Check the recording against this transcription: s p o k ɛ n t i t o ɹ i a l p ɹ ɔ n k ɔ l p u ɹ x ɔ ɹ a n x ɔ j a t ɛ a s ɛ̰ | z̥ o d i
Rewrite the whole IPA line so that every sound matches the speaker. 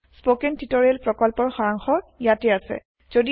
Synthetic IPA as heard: s p o k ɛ n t i t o ɹ i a l p ɹ ɔ k ɔ l p ɔ ɹ x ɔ ɹ a ŋ x ɔ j a t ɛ a s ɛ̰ | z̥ o d i